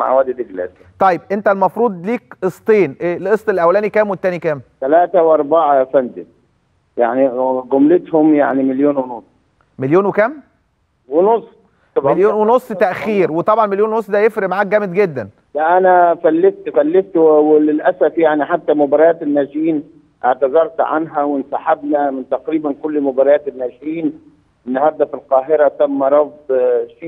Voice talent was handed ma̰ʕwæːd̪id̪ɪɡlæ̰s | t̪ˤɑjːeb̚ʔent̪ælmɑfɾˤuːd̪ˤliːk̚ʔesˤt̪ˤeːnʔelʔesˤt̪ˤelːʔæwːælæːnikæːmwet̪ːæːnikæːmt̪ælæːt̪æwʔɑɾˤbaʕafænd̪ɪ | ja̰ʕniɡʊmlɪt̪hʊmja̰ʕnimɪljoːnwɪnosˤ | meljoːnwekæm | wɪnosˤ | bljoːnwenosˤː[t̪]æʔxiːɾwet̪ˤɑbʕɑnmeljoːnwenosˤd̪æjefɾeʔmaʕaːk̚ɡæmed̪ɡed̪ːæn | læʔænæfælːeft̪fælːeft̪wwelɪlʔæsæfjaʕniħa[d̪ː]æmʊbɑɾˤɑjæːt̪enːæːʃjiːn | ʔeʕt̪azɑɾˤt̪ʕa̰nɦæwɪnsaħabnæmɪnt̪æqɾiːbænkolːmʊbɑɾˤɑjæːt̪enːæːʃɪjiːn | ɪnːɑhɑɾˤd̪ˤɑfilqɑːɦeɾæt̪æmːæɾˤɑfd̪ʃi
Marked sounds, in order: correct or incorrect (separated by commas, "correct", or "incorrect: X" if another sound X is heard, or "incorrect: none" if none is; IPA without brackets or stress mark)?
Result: correct, incorrect: t̪ː